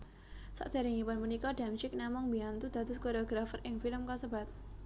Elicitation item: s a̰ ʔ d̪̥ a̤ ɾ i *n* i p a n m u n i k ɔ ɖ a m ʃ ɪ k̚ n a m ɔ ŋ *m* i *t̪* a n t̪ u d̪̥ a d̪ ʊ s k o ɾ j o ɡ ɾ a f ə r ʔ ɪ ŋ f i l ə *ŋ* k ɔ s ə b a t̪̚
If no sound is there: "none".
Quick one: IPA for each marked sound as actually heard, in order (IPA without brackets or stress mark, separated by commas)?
ŋ, b, none, m